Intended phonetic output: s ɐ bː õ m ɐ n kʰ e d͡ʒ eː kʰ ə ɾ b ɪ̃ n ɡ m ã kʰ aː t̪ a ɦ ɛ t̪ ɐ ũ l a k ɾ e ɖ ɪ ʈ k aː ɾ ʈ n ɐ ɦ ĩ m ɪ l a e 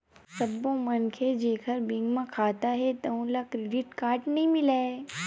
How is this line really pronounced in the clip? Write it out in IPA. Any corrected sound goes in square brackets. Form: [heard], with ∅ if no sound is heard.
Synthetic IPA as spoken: s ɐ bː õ m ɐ n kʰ e d͡ʒ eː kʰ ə ɾ b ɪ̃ [ŋ] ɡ m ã kʰ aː t̪ a ɦ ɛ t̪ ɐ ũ l a k ɾ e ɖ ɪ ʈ k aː ɾ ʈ n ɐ ɦ ĩ m ɪ l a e